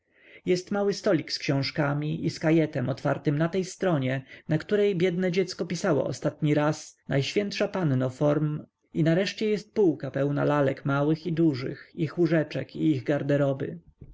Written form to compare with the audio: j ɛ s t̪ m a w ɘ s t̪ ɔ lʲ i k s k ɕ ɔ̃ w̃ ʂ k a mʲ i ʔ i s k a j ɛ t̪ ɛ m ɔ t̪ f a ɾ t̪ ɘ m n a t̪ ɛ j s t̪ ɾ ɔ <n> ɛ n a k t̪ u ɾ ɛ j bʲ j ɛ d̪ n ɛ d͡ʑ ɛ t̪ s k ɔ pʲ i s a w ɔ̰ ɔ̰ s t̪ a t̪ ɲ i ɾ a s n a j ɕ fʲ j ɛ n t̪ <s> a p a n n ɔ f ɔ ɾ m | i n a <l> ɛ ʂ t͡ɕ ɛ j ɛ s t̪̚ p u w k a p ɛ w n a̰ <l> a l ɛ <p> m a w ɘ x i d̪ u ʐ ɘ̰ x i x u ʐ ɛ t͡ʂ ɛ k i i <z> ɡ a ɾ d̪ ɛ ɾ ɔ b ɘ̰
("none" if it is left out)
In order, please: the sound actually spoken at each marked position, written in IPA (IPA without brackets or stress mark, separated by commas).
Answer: ɲ, ʂ, ɾ, l, k, ɣ